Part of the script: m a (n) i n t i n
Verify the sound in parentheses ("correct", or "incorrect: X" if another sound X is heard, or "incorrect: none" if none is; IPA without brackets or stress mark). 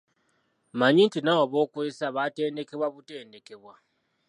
incorrect: ɲ